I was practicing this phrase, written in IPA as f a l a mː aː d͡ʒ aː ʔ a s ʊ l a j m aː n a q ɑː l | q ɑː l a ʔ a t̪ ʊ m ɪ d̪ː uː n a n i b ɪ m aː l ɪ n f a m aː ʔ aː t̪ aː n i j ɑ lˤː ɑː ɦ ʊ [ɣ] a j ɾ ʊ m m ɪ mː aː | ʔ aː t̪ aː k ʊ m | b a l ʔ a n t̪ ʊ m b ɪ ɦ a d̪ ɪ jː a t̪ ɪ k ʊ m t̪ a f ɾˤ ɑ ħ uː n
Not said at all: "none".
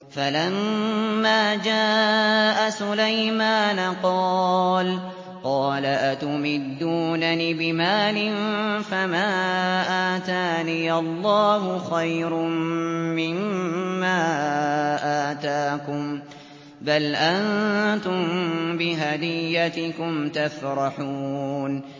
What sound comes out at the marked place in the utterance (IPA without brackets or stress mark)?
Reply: x